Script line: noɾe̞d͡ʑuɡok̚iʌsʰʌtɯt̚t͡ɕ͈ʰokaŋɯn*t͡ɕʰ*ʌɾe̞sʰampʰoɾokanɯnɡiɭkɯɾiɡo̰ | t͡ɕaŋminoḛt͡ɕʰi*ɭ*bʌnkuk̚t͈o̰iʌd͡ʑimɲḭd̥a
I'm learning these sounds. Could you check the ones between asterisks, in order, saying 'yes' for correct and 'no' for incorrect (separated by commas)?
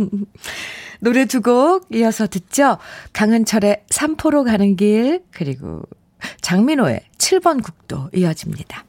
yes, yes